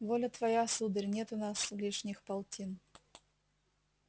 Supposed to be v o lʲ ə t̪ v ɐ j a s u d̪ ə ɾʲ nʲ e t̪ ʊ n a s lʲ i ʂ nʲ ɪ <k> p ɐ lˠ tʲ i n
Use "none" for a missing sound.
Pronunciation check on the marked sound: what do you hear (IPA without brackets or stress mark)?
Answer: x